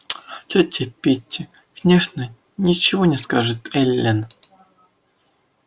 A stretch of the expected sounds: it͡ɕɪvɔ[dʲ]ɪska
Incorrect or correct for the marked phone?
incorrect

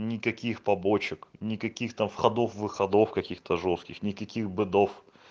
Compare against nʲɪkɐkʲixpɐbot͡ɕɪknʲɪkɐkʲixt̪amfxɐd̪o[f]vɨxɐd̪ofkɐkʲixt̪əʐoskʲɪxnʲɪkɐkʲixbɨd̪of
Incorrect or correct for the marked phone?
correct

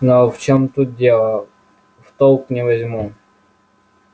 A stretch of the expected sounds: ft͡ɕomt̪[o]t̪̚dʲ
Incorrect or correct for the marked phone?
incorrect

